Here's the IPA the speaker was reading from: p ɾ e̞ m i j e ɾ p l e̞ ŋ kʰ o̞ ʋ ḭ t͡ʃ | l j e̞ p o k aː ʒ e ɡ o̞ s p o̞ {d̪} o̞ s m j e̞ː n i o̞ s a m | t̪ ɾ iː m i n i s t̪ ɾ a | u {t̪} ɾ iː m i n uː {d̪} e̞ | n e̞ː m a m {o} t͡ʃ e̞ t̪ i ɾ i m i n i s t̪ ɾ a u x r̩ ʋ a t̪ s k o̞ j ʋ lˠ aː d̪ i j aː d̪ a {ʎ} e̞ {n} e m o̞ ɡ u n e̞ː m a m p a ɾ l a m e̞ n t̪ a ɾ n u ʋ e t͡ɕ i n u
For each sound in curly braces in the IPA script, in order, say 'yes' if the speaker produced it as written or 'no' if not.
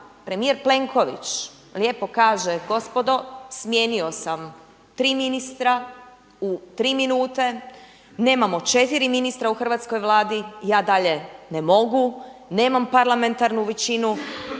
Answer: yes, yes, no, yes, yes, yes

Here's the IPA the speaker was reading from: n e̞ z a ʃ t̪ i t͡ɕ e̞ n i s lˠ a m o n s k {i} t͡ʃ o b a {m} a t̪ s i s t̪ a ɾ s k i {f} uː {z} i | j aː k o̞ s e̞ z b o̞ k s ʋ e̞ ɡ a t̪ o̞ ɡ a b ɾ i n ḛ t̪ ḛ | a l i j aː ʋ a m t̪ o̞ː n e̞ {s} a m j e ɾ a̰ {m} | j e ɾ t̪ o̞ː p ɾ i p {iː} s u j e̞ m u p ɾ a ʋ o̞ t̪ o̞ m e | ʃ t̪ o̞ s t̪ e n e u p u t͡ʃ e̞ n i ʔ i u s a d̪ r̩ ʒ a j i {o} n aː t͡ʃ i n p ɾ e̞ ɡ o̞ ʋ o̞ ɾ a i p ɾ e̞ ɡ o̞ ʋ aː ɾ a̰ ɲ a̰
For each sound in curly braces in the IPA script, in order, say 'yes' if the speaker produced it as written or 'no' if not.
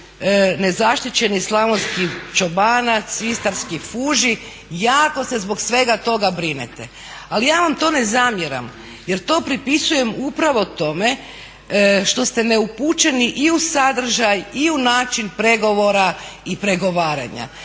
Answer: yes, no, yes, no, no, yes, no, no

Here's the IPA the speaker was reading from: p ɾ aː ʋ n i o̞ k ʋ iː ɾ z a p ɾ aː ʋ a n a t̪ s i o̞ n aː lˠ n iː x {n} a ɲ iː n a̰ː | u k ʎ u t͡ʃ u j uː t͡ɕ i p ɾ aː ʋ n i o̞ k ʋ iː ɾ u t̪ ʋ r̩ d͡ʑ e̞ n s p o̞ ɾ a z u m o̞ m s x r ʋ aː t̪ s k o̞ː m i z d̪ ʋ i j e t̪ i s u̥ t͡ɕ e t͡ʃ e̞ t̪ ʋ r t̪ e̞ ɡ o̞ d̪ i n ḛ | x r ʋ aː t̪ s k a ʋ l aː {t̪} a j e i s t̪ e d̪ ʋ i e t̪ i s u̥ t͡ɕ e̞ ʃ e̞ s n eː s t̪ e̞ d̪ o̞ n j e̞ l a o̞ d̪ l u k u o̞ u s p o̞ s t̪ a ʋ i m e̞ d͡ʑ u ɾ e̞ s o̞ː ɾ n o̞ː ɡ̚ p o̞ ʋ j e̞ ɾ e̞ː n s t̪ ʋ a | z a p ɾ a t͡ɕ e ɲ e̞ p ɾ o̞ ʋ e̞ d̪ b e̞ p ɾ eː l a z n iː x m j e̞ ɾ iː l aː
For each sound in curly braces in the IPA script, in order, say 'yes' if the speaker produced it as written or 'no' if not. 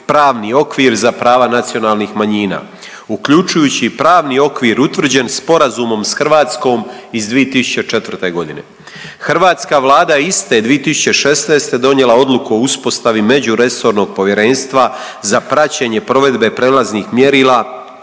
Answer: no, no

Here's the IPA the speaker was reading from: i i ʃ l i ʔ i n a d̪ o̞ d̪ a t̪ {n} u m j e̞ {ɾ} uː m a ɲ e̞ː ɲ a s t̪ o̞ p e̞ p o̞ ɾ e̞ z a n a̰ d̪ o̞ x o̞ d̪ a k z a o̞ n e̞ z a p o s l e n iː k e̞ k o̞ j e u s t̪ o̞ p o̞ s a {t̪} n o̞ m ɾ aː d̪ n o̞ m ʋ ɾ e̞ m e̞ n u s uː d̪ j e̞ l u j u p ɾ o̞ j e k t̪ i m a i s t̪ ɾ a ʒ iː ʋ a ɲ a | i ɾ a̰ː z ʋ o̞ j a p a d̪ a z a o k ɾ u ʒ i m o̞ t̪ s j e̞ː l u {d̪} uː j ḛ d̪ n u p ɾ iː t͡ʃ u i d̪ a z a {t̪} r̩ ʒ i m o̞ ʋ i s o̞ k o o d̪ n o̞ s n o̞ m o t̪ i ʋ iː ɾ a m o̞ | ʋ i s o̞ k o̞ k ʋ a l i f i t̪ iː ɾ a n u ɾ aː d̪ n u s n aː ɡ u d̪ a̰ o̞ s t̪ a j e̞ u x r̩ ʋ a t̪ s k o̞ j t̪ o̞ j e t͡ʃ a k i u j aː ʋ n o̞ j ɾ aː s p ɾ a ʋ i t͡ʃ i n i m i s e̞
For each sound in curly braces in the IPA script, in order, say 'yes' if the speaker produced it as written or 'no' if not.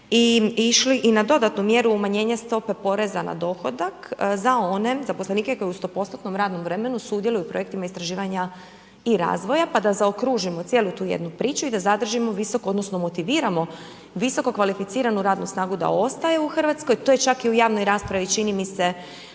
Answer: yes, yes, yes, no, no

